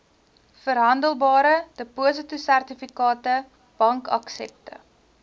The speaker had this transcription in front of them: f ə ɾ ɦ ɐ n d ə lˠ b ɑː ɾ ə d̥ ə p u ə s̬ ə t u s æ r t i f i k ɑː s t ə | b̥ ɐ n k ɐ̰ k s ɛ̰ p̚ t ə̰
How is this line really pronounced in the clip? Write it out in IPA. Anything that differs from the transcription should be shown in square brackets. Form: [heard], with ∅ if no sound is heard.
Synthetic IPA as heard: f ə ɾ ɦ ɐ n d ə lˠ b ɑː ɾ ə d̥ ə p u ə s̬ ə t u s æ r t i f i k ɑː [∅] t ə | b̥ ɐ [ŋ] k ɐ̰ k s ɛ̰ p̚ t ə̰

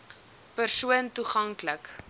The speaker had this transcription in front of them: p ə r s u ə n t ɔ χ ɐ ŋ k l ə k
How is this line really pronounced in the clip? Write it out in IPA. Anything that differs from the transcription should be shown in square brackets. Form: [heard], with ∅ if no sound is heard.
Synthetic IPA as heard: p ə r s u ə n t [u] χ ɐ ŋ k l ə k

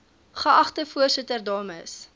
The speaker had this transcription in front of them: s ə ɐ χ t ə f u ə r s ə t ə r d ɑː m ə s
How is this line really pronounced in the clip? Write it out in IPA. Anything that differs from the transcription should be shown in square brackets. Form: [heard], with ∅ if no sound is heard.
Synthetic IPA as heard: [χ] ə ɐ χ t ə f u ə r s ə t ə r d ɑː m ə s

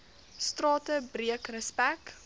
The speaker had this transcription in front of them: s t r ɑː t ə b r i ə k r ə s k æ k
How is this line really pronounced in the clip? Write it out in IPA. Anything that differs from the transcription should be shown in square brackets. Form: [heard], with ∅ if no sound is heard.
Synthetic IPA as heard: s t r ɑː t ə b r i ə k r ə s [p] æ k

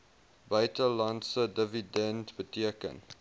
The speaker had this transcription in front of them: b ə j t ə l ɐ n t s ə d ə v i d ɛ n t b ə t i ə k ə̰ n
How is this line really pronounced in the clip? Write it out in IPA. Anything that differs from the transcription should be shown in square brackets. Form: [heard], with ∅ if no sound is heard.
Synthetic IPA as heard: b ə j t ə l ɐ n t s ə d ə v i d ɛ n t b ə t i ə k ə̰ n

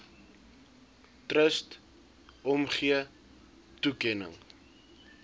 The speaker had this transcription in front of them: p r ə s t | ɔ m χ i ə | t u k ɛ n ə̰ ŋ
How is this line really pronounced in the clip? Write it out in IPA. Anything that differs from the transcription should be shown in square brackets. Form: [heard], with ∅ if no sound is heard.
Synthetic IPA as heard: [t] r ə s t | ɔ m χ i ə | t u k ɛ n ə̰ ŋ

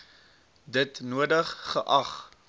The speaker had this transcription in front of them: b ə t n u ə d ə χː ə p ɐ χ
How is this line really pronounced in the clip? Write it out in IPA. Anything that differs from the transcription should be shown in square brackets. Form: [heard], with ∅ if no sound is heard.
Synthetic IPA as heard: [d] ə t n u ə d ə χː ə [ʔ] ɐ χ

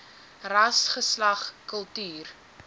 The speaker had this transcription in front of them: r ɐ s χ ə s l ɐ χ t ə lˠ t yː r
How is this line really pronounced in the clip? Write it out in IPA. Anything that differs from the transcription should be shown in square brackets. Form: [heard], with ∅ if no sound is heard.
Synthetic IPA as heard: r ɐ s χ ə s l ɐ χ [k] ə lˠ t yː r

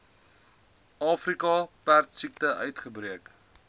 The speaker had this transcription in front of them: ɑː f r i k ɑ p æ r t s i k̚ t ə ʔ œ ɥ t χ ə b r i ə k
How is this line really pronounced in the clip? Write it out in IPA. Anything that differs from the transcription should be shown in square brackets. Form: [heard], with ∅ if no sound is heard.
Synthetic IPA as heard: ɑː f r i k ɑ p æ r t s i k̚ t ə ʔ œ ɥ t χ ə b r i ə k

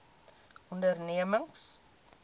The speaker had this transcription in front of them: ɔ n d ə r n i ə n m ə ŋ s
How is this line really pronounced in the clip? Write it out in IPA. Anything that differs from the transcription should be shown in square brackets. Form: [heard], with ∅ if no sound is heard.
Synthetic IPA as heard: ɔ n d ə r n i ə [∅] m ə ŋ s

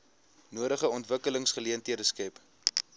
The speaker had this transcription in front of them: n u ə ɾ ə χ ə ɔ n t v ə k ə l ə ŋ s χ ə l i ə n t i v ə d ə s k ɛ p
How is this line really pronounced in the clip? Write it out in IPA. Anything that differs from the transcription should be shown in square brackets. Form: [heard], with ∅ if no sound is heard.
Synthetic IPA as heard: n u ə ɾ ə χ ə ɔ n t v ə k ə l ə ŋ s χ ə l i ə n t i [∅] ə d ə s k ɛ p

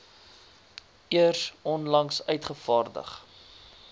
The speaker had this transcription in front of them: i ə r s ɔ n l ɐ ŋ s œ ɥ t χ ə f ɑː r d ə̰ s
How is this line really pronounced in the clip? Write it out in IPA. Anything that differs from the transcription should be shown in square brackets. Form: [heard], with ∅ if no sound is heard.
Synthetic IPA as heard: i ə r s ɔ n l ɐ ŋ s œ ɥ t χ ə f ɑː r d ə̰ [χ]

